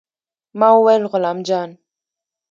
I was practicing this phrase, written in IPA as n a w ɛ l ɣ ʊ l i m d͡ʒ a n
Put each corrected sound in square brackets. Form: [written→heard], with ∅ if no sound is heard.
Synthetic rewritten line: [n→m] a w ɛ l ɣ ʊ l [i→a] m d͡ʒ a n